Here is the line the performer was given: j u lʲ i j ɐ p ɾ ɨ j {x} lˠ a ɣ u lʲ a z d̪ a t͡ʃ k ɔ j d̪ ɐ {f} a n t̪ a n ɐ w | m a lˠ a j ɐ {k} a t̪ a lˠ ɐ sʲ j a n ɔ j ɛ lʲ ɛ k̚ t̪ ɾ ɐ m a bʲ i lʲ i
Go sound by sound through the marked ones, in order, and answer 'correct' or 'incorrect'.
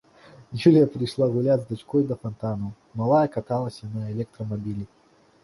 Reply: incorrect, correct, correct

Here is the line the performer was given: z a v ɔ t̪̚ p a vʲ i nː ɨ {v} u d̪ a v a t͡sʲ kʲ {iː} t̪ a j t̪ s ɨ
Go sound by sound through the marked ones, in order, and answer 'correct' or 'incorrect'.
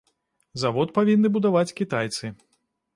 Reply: incorrect, incorrect

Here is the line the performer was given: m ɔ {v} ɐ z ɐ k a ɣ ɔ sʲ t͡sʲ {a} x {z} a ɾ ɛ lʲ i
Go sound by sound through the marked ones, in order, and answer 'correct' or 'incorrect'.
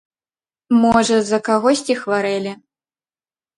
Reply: incorrect, incorrect, incorrect

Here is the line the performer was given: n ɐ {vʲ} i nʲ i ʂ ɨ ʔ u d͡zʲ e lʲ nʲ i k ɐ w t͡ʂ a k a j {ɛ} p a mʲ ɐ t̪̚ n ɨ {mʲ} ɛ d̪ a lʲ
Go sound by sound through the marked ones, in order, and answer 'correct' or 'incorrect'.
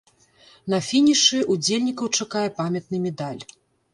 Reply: incorrect, correct, correct

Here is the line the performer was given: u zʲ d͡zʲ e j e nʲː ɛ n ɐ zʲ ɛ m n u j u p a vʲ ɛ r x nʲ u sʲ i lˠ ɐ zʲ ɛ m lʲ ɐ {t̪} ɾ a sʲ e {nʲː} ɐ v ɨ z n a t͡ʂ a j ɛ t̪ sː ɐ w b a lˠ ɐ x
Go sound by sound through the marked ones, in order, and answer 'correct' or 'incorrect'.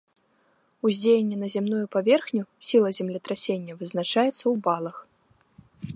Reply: correct, correct

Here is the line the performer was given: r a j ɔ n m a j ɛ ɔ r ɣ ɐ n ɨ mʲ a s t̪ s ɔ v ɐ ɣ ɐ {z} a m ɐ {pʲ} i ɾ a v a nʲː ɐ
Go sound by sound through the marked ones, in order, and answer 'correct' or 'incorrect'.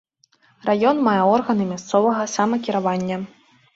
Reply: incorrect, incorrect

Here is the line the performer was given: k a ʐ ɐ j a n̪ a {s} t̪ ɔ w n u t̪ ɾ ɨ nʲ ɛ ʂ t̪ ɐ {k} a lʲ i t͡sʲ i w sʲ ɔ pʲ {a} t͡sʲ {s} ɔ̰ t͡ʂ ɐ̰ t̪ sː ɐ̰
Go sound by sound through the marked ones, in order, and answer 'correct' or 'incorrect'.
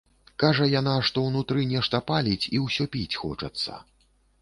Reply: incorrect, incorrect, incorrect, incorrect

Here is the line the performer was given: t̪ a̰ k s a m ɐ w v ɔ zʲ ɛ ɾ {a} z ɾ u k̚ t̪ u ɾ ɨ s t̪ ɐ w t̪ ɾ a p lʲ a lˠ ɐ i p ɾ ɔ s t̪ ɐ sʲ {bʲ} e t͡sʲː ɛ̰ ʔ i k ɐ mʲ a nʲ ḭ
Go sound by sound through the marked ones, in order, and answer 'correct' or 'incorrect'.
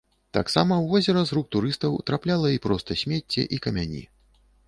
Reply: incorrect, incorrect

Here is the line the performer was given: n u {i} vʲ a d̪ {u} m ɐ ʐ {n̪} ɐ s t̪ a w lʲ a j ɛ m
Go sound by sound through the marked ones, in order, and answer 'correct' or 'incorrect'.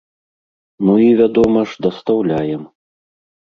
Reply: correct, incorrect, incorrect

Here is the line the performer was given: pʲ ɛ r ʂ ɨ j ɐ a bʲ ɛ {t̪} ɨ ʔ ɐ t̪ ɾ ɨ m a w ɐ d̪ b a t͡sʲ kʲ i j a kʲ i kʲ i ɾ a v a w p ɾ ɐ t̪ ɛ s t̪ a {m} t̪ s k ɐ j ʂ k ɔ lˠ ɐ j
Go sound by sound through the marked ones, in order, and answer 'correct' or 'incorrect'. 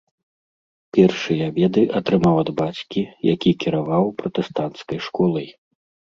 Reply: incorrect, incorrect

